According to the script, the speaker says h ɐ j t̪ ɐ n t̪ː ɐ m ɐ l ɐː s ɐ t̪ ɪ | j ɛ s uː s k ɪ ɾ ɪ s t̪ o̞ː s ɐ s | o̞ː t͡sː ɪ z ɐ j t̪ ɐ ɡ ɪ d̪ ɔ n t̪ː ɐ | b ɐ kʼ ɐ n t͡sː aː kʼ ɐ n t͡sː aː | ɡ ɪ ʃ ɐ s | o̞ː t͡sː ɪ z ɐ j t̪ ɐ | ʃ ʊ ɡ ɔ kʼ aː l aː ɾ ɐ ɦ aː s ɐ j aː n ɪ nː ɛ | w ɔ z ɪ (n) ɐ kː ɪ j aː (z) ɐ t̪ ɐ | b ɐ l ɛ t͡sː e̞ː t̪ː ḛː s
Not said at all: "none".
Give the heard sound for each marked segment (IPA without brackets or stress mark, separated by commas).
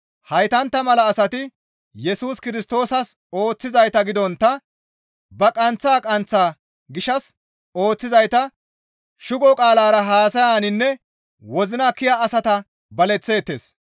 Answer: n, s